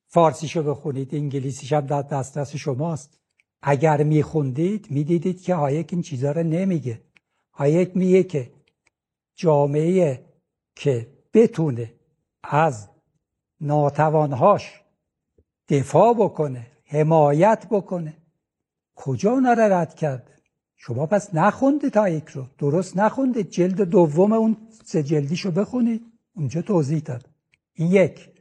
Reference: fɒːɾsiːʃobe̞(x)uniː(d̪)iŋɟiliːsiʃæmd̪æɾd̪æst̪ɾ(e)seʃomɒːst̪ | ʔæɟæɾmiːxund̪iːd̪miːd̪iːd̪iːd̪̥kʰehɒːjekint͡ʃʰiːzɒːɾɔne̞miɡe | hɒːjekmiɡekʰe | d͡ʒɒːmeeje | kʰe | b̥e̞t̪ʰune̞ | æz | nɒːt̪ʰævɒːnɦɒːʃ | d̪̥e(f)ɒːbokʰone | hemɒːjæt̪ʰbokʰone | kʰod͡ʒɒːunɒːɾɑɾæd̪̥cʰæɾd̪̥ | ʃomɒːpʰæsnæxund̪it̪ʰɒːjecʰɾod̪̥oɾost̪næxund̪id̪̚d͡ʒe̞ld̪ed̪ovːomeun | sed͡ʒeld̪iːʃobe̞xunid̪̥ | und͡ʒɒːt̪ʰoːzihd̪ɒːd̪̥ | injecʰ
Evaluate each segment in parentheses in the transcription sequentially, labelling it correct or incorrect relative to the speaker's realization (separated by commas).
correct, correct, incorrect, correct